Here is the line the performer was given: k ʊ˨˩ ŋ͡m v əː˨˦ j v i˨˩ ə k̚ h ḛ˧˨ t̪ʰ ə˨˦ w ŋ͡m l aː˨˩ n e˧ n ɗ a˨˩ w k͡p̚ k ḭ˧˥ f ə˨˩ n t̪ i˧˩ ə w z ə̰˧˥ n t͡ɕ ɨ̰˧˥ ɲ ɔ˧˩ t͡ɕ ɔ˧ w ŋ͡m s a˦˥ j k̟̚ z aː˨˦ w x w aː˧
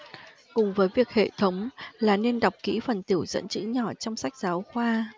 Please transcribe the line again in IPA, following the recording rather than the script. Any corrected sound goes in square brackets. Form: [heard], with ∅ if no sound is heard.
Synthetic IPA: k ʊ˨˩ ŋ͡m v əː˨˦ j v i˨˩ ə k̚ h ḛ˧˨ t̪ʰ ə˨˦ w ŋ͡m l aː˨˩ n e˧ n ɗ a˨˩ w k͡p̚ k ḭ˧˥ f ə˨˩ n t̪ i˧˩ ə w z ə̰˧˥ n t͡ɕ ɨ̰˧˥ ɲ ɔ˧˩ t͡ɕ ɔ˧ w ŋ͡m s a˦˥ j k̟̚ z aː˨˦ w x w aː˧